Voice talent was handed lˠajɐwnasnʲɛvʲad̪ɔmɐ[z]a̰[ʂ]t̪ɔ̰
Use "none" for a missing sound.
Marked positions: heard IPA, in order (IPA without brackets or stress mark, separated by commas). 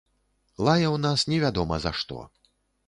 z, ʂ